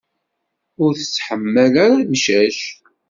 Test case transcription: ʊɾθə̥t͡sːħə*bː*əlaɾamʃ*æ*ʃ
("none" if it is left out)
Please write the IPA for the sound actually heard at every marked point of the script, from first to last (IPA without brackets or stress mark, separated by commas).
mː, æ